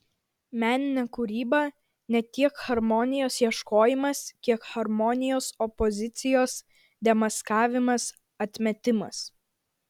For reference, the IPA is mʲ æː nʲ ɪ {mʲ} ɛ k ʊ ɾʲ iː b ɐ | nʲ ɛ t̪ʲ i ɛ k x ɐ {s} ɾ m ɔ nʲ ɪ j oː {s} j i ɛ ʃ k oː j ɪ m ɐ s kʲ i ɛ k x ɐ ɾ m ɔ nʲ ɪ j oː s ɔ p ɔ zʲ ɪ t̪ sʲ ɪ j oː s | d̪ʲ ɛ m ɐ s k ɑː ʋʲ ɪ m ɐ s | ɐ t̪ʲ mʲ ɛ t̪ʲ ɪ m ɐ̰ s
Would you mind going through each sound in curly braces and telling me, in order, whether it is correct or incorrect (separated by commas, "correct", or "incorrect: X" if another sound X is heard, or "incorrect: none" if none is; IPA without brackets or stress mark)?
incorrect: nʲ, incorrect: none, correct